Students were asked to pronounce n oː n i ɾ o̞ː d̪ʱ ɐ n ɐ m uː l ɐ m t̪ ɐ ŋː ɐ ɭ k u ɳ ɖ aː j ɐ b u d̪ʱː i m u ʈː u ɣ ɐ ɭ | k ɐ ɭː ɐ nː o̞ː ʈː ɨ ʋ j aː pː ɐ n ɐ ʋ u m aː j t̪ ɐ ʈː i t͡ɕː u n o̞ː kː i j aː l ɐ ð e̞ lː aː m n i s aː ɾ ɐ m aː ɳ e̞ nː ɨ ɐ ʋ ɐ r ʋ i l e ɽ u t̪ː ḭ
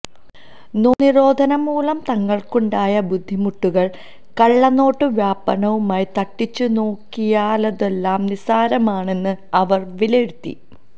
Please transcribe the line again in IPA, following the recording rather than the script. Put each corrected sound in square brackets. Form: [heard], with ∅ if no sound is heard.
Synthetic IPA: n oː n i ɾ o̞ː d̪ʱ ɐ n ɐ m uː l ɐ m t̪ ɐ ŋː ɐ ɭ k u ɳ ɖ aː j ɐ b u d̪ʱː i m u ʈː u ɣ ɐ ɭ | k ɐ ɭː ɐ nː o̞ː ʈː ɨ ʋ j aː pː ɐ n ɐ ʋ u m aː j t̪ ɐ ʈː i t͡ɕː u n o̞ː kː i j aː l ɐ ð e̞ lː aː m n i s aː ɾ ɐ m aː ɳ e̞ nː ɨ ɐ ʋ ɐ r ʋ i l e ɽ u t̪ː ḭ